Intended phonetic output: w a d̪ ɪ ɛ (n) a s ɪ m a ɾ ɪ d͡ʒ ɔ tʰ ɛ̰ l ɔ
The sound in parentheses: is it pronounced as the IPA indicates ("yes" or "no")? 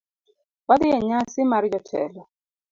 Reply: no